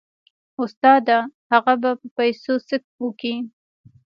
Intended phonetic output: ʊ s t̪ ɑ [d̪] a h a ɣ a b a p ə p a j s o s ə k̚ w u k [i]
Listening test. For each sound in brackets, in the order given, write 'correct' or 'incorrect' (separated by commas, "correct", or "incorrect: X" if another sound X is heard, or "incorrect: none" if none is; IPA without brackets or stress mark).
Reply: correct, correct